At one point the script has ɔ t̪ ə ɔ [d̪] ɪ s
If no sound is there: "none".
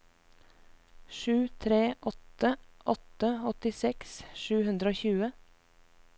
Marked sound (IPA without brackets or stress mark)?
t̪